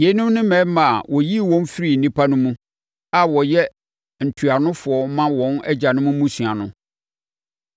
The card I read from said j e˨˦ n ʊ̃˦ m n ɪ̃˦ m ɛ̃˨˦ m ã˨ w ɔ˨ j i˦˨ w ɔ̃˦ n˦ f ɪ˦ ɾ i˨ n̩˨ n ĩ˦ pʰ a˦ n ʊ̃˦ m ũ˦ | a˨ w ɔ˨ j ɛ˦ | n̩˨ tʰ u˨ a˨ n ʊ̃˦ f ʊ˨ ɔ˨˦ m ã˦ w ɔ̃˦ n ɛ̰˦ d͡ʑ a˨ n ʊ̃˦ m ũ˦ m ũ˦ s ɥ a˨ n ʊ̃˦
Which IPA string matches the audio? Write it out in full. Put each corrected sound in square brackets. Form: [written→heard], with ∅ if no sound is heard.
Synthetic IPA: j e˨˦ n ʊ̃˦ m n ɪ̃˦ m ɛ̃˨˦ m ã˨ w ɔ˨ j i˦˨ w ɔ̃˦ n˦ f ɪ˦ ɾ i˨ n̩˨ n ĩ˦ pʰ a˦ n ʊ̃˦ m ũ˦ | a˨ w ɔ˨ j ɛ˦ | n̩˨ tʰ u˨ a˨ n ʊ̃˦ f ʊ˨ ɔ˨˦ m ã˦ w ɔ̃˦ n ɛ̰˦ d͡ʑ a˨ n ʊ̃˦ m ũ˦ m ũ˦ s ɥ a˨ n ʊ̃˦